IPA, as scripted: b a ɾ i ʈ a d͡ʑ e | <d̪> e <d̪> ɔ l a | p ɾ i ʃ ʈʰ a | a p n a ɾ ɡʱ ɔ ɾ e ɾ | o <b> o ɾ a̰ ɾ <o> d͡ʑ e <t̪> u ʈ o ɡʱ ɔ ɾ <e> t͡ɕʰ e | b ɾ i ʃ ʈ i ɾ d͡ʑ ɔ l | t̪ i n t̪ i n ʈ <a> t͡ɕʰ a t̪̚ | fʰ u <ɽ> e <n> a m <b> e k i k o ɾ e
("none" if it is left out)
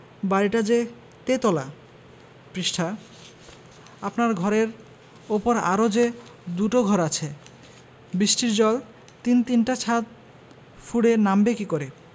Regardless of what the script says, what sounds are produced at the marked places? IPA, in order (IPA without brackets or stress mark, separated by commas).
t̪, t̪, p, o, d̪, a, a, ɽ, n, b